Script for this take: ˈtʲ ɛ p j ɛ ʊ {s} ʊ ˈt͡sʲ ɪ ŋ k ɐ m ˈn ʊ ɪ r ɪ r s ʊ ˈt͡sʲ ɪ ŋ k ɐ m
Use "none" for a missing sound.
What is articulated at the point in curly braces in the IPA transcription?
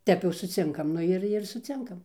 s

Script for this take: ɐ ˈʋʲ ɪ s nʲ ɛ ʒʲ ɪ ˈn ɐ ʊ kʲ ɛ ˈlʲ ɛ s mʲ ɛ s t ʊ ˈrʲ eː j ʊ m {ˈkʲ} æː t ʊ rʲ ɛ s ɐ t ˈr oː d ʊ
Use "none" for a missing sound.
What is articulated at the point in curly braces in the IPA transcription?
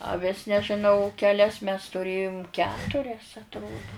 kʲ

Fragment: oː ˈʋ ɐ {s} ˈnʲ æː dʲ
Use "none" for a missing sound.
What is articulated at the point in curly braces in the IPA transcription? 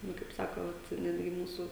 t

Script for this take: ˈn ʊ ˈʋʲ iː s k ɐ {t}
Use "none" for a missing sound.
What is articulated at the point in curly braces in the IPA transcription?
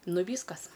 s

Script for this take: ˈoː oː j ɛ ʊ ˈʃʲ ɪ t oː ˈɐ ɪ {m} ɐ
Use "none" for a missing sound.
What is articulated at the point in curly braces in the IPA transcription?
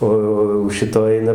n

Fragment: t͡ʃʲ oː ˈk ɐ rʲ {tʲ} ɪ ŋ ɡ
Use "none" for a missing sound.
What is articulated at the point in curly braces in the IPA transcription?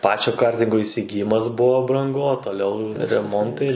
tʲ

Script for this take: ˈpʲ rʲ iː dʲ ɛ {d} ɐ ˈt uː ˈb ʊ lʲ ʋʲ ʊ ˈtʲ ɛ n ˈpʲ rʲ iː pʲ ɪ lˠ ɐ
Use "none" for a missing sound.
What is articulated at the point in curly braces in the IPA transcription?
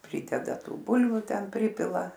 d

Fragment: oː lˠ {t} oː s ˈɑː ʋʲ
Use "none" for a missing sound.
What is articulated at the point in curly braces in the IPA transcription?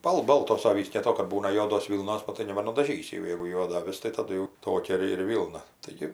t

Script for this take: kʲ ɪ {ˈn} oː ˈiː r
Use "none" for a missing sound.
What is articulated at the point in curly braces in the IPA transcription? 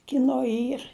n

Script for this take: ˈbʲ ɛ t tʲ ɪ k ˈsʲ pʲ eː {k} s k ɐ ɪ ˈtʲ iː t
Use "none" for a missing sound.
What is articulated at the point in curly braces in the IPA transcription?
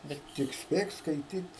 k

